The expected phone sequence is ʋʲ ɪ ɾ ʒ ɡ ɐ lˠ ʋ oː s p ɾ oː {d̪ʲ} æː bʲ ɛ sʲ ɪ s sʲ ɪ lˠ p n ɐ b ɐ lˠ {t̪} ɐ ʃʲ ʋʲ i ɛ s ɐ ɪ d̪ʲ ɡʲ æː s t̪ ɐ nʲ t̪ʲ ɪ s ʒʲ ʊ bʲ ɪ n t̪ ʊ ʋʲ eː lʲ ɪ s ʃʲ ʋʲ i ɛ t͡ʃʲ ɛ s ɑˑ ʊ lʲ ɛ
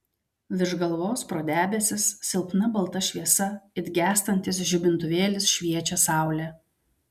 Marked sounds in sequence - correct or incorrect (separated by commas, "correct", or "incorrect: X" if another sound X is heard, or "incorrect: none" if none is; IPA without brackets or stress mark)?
correct, correct